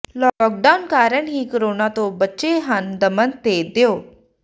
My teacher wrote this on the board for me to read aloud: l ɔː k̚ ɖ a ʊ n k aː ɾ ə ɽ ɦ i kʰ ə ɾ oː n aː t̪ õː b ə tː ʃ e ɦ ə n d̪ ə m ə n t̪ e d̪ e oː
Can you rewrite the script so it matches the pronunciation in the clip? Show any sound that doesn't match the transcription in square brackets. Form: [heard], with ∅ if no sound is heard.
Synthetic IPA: l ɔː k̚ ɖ a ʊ n k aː ɾ ə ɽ ɦ i [k] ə ɾ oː n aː t̪ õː b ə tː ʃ e ɦ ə n d̪ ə m ə n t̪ e d̪ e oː